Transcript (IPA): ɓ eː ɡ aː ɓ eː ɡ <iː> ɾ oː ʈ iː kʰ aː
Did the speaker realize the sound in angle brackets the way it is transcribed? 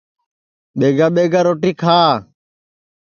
no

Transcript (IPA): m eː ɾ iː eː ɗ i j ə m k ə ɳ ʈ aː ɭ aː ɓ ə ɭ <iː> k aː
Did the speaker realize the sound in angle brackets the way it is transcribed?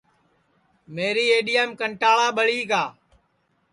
yes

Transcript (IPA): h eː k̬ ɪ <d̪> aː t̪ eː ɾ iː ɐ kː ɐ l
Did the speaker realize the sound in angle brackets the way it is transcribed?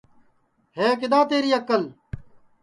yes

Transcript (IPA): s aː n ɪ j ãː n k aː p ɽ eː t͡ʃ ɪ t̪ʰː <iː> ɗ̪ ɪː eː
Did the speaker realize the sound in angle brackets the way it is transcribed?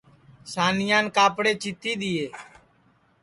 yes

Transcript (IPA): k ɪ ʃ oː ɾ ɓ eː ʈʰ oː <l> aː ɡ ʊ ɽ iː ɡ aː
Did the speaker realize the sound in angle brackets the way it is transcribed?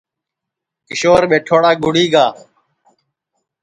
no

